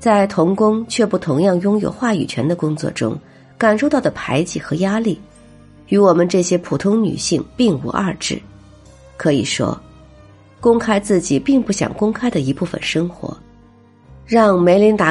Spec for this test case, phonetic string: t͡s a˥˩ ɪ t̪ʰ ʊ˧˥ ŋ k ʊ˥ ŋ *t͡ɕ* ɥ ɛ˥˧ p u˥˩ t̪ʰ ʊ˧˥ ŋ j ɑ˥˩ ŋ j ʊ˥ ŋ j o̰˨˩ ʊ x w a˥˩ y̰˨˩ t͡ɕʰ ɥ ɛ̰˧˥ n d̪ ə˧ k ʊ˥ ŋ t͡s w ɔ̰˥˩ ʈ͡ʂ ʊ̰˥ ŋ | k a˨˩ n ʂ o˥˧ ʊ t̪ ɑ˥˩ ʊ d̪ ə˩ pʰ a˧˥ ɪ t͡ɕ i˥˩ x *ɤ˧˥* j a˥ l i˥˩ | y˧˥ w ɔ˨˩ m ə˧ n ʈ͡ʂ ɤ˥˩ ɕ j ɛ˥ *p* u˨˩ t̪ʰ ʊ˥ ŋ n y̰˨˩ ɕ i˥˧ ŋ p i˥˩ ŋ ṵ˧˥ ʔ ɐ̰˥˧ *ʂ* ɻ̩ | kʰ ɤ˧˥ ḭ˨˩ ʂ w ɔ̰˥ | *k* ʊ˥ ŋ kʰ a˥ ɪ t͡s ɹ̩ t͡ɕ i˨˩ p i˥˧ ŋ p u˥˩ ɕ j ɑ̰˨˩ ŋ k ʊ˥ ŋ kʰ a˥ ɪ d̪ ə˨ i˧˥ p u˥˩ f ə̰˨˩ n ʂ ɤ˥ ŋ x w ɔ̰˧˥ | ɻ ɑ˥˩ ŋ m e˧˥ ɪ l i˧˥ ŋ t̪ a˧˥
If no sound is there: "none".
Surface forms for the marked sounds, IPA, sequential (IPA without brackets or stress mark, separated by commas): t͡ɕʰ, ɤ˧˥, pʰ, ʈ͡ʂ, k